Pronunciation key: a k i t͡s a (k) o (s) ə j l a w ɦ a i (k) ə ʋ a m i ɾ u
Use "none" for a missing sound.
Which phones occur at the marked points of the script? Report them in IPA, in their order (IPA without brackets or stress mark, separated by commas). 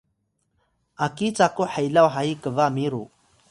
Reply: k, ħ, k